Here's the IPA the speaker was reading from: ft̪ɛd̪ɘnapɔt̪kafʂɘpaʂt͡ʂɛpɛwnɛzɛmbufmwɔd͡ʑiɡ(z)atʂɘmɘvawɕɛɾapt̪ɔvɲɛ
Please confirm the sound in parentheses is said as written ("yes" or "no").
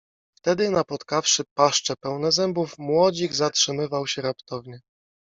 yes